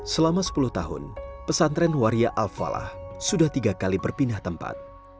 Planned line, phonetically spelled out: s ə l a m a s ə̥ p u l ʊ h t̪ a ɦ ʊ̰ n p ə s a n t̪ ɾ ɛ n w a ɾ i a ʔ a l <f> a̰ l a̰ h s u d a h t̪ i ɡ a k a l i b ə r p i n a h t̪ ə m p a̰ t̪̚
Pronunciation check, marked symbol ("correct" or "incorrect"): correct